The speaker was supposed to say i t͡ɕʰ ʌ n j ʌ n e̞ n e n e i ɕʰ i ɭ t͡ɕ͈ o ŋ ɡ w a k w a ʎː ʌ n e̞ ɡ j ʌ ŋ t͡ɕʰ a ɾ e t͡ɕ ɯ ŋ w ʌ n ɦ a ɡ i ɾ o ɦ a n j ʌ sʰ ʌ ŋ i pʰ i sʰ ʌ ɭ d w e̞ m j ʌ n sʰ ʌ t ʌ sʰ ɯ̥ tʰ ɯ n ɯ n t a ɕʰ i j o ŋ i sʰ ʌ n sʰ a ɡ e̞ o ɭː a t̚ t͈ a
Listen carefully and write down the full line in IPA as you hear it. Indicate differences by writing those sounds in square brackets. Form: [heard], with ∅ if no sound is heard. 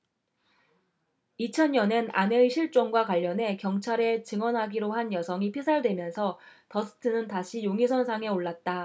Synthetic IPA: i t͡ɕʰ ʌ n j ʌ n e̞ n [a] n e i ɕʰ i ɭ t͡ɕ͈ o ŋ ɡ w a k w a ʎː ʌ n e̞ [k] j ʌ ŋ t͡ɕʰ a ɾ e t͡ɕ ɯ ŋ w ʌ n ɦ a ɡ i ɾ o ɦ a n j ʌ sʰ ʌ ŋ i pʰ i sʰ [a] ɭ d w e̞ m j ʌ n sʰ ʌ t ʌ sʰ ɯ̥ tʰ ɯ n ɯ n t a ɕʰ i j o ŋ i sʰ ʌ n sʰ a [ŋ] e̞ o ɭː a t̚ t͈ a